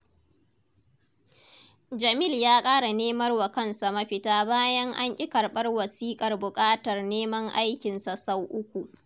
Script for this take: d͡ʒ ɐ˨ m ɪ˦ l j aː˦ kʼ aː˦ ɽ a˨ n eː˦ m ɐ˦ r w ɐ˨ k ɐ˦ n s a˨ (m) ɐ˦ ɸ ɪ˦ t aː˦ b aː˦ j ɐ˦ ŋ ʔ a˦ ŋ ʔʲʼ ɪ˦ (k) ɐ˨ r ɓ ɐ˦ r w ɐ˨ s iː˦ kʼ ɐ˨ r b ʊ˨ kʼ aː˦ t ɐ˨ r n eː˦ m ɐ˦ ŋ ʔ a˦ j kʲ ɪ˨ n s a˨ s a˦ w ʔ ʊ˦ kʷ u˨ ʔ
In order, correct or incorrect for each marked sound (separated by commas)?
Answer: correct, correct